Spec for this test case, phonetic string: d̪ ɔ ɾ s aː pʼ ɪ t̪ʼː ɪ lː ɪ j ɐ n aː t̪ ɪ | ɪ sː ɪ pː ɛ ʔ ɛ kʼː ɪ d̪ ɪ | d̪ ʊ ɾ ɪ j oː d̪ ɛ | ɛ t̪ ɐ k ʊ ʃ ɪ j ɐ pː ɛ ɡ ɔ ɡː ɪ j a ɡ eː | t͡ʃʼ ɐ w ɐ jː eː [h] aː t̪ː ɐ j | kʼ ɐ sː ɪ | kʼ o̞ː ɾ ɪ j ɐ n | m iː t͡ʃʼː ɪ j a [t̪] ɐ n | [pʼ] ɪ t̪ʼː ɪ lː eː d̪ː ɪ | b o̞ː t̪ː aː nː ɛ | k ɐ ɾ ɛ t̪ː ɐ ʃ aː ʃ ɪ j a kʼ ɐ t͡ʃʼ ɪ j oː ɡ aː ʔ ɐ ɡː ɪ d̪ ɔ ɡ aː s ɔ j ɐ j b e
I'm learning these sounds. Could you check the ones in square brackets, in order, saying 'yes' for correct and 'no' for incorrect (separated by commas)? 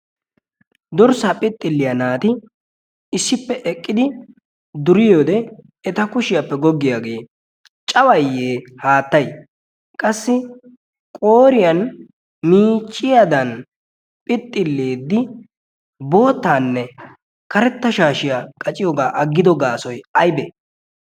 yes, no, yes